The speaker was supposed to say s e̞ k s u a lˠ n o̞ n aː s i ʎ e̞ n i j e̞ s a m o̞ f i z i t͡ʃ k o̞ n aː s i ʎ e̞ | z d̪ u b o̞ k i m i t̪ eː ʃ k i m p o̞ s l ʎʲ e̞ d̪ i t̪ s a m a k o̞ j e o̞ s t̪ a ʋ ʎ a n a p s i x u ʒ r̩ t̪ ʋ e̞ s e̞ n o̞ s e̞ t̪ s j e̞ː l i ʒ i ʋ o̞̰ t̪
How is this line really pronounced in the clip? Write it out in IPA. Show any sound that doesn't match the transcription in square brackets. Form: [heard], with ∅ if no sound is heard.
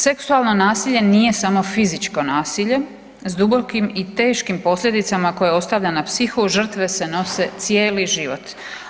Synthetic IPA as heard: s e̞ k s u a lˠ n o̞ n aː s i ʎ e̞ n i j e̞ s a m o̞ f i z i t͡ʃ k o̞ n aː s i ʎ e̞ | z d̪ u b o̞ k i m i t̪ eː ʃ k i m p o̞ s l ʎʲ e̞ d̪ i t̪ s a m a k o̞ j e o̞ s t̪ a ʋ ʎ a n a p s i x u ʒ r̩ t̪ ʋ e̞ s e̞ n o̞ s e̞ t̪ s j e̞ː l i ʒ i ʋ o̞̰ t̪

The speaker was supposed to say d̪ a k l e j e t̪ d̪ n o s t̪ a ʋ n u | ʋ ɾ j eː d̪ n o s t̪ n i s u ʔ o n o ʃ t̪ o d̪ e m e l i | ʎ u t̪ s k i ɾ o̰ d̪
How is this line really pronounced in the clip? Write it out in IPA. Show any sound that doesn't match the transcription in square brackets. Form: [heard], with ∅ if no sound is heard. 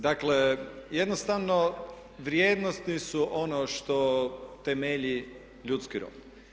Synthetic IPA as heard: d̪ a k l e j e [∅] d̪ n o s t̪ a ʋ n [o] | ʋ ɾ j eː d̪ n o s t̪ n i s u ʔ o n o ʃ t̪ o [t̪] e m e [ʎ] i | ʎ u t̪ s k i ɾ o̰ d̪

